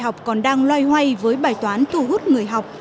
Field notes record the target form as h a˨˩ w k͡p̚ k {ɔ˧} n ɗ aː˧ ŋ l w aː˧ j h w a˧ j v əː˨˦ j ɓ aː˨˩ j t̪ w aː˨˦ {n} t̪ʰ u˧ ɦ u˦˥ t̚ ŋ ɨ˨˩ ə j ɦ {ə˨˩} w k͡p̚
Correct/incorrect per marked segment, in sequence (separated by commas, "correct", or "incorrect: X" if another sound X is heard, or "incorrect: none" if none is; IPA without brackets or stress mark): incorrect: ɔ˨˩, correct, incorrect: a˨˩